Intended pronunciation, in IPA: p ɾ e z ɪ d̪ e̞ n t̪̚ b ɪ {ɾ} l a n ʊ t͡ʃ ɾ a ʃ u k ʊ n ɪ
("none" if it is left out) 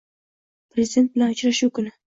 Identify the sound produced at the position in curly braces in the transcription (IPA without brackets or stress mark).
none